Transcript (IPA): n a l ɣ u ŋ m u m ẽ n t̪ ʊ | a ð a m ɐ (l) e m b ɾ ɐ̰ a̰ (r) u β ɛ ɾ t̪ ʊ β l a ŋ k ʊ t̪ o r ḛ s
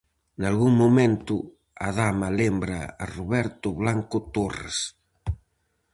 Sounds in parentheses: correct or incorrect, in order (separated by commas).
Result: correct, correct